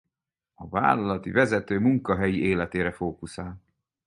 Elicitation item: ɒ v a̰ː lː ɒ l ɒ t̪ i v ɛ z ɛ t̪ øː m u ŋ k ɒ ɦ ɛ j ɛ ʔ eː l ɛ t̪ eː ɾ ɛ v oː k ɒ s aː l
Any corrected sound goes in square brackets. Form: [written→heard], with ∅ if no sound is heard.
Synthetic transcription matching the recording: ɒ v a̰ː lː ɒ l ɒ t̪ i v ɛ z ɛ t̪ øː m u ŋ k ɒ ɦ ɛ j [ɛ→i] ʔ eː l ɛ t̪ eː ɾ ɛ [v→f] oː k [ɒ→u] s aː l